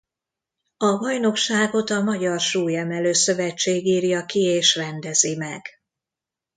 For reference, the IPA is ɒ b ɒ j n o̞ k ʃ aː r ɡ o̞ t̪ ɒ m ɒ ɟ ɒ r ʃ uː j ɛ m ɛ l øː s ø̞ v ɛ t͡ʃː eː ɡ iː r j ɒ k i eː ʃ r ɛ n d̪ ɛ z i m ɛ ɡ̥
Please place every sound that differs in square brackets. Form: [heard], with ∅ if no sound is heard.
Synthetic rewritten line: ɒ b ɒ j n o̞ k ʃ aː [∅] ɡ o̞ t̪ ɒ m ɒ ɟ ɒ r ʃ uː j ɛ m ɛ l øː s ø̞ v ɛ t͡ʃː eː ɡ iː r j ɒ k i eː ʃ r ɛ n d̪ ɛ z i m ɛ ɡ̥

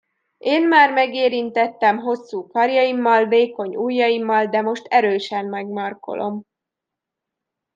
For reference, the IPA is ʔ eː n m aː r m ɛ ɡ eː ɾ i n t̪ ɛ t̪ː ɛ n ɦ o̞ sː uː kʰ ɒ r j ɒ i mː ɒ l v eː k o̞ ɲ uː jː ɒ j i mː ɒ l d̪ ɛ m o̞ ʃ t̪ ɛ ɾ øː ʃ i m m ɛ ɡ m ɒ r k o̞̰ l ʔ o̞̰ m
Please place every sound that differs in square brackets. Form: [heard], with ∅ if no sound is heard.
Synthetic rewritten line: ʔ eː n m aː r m ɛ ɡ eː ɾ i n t̪ ɛ t̪ː ɛ [m] ɦ o̞ sː uː [k] ɒ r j ɒ i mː ɒ l v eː k o̞ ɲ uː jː ɒ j i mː ɒ l d̪ ɛ m o̞ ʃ t̪ ɛ ɾ øː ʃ [ɛ] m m ɛ ɡ m ɒ r k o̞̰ l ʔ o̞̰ m

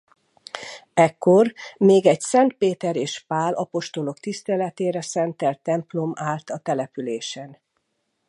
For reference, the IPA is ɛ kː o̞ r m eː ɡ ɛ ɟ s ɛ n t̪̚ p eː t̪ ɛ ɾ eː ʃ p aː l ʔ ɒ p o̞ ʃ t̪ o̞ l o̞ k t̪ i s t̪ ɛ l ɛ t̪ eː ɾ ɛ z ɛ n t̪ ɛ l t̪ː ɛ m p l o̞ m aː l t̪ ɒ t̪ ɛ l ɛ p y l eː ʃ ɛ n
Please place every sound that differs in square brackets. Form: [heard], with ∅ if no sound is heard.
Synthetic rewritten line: ɛ kː o̞ r m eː ɡ ɛ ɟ s ɛ n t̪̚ p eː t̪ ɛ ɾ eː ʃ p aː l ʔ ɒ p o̞ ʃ t̪ o̞ l o̞ k t̪ i s t̪ ɛ l ɛ t̪ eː ɾ ɛ [s] ɛ n t̪ ɛ l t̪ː ɛ m p l o̞ m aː l t̪ ɒ t̪ ɛ l ɛ p y l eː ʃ ɛ n

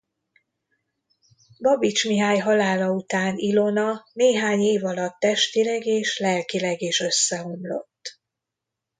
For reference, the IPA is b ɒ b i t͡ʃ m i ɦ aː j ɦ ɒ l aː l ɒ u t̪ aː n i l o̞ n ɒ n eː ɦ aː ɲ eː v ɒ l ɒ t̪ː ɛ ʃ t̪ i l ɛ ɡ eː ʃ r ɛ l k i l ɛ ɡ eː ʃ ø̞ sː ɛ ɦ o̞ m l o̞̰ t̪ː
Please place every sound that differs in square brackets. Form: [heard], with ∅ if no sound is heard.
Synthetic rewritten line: b ɒ b i t͡ʃ m i ɦ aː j ɦ ɒ l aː l ɒ u t̪ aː n i l o̞ n ɒ n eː ɦ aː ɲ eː v ɒ l ɒ t̪ː ɛ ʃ t̪ i l ɛ ɡ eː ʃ [l] ɛ l k i l ɛ ɡ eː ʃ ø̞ sː ɛ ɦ o̞ m l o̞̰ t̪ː

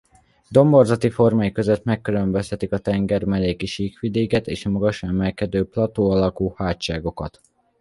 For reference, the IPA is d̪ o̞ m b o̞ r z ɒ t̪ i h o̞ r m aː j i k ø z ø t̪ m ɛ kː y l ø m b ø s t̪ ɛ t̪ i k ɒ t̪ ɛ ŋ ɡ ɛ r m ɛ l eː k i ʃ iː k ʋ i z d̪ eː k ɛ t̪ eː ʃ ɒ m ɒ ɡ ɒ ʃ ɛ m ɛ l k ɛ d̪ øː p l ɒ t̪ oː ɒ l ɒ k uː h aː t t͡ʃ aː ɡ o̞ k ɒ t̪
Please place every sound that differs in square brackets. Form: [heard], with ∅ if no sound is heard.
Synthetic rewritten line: d̪ o̞ m b o̞ r z ɒ t̪ i [f] o̞ r m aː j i k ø z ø t̪ m ɛ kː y l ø m b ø s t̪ ɛ t̪ i k ɒ t̪ ɛ ŋ ɡ ɛ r m ɛ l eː k i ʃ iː k ʋ i [∅] d̪ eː k ɛ t̪ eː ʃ ɒ m ɒ ɡ ɒ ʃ ɛ m ɛ l k ɛ d̪ øː p l ɒ t̪ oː ɒ l ɒ k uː h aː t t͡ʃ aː ɡ o̞ k ɒ t̪

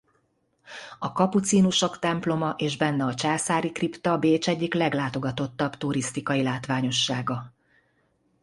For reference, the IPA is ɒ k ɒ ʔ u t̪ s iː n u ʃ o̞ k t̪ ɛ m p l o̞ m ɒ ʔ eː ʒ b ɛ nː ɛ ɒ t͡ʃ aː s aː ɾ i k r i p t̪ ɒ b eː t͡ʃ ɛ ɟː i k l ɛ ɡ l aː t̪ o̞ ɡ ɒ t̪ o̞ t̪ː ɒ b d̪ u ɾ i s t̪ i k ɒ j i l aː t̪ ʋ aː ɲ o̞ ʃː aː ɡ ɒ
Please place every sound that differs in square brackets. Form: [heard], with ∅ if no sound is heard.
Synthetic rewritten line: ɒ k ɒ [p] u t̪ s iː n u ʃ o̞ k t̪ ɛ m p l o̞ m ɒ ʔ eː ʒ b ɛ nː ɛ ɒ t͡ʃ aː s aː ɾ i k r i p t̪ ɒ b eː t͡ʃ ɛ ɟː i k l ɛ ɡ l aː t̪ o̞ ɡ ɒ t̪ o̞ t̪ː ɒ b [t̪] u ɾ i s t̪ i k ɒ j i l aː t̪ ʋ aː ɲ o̞ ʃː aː ɡ ɒ

